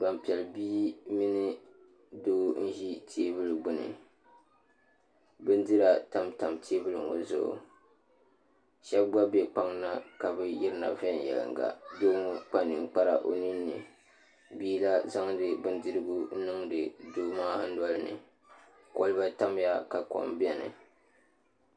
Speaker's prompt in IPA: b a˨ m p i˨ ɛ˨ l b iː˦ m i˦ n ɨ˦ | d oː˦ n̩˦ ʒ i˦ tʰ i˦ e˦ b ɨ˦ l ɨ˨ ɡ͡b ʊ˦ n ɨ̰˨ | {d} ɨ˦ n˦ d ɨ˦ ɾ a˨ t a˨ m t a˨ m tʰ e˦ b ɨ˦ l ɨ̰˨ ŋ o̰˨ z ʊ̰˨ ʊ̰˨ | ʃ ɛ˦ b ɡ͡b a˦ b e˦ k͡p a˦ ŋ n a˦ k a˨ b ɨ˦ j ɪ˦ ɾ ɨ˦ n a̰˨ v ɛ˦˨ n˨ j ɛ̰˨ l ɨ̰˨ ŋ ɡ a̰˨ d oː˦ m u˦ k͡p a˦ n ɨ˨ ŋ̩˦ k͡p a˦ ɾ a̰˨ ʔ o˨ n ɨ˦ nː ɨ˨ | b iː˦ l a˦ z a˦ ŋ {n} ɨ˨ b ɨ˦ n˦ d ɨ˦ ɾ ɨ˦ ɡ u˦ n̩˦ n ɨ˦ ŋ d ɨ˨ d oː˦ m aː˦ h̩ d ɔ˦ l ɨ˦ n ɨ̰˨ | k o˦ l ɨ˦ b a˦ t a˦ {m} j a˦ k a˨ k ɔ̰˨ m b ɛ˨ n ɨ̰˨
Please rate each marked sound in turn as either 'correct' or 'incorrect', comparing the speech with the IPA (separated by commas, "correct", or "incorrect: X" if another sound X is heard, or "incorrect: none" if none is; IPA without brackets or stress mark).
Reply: incorrect: b, incorrect: d, correct